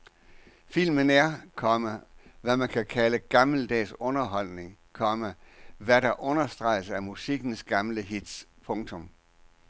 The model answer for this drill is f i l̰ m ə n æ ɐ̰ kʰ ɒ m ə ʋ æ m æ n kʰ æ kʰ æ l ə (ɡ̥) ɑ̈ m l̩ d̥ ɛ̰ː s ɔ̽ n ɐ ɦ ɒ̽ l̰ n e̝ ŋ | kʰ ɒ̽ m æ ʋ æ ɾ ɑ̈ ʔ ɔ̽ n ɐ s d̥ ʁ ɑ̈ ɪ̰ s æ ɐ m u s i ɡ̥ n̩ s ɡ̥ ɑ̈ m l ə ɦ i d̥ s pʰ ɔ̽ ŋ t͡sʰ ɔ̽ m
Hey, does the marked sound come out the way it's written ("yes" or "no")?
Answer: yes